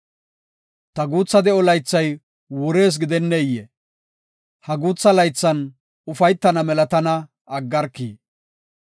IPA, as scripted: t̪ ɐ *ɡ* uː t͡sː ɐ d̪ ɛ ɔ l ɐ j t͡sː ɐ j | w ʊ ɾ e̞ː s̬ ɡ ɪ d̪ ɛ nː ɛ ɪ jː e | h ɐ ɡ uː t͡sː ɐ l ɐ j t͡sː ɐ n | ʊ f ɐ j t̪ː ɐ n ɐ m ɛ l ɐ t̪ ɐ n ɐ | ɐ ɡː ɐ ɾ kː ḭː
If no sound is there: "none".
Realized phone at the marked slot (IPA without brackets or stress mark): ɡ